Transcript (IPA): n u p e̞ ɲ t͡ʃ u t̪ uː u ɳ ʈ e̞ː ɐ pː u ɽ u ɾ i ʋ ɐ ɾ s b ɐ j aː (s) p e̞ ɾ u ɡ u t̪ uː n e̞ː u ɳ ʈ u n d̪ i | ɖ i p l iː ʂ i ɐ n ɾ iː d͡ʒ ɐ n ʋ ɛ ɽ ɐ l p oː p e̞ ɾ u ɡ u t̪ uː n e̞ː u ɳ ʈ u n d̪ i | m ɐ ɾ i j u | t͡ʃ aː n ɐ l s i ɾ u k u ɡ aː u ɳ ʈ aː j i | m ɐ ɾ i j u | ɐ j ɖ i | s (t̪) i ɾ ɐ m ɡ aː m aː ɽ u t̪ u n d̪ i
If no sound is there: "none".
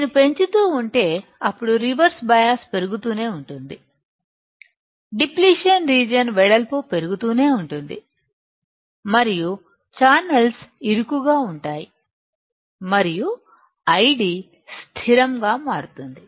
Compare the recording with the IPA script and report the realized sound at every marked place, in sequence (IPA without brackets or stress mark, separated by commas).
s, t̪ʰ